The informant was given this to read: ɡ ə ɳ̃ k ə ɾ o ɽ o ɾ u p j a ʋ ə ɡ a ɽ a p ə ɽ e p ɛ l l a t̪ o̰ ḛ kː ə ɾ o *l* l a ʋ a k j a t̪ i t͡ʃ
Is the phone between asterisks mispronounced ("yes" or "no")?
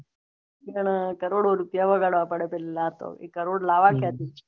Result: yes